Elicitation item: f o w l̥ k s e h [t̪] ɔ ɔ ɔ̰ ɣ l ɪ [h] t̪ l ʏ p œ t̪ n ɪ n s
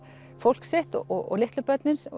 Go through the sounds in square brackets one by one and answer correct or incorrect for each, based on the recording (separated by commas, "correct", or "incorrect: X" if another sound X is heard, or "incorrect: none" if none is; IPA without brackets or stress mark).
correct, correct